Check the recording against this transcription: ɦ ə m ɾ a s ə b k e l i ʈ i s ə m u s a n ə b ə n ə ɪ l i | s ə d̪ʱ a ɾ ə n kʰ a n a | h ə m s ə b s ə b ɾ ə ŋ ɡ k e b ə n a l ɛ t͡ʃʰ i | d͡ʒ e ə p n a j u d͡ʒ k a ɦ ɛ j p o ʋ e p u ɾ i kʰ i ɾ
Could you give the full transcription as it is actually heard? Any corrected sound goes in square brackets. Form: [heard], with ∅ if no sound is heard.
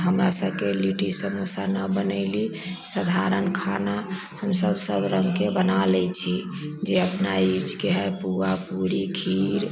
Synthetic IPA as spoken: ɦ ə m ɾ a s ə b k e l i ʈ i s ə m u s a n ə b ə n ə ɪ l i | s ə d̪ʱ a ɾ ə n kʰ a n a | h ə m s ə b s ə b ɾ ə ŋ ɡ k e b ə n a l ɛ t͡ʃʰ i | d͡ʒ e ə p n a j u d͡ʒ k [e] ɦ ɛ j p [u] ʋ [a] p u ɾ i kʰ i ɾ